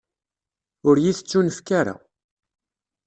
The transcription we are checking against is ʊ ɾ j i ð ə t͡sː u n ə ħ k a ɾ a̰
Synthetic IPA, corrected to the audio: ʊ ɾ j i θ ə t͡sː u n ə f k a ɾ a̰